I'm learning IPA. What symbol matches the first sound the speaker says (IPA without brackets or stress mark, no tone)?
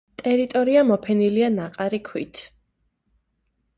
t̪ʼ